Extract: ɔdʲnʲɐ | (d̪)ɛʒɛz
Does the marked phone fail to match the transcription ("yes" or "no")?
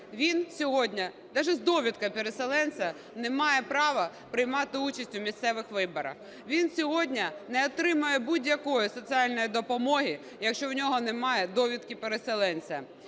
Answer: no